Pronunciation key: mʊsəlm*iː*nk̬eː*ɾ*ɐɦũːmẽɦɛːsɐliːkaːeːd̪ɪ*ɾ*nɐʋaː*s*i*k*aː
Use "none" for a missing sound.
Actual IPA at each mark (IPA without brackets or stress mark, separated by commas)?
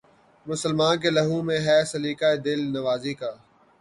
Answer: aː, l, l, z, k